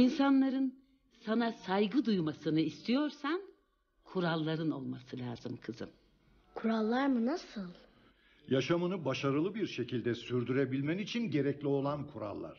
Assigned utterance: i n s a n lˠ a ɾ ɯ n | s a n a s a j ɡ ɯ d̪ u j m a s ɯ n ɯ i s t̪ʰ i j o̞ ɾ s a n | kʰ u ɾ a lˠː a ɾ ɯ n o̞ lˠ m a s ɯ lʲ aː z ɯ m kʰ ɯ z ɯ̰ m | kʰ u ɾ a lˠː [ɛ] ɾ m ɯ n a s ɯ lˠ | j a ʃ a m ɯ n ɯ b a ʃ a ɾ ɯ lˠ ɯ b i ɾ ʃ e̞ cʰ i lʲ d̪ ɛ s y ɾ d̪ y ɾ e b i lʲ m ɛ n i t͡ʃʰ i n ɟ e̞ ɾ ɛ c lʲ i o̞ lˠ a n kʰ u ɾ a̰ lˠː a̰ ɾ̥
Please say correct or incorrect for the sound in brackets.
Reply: incorrect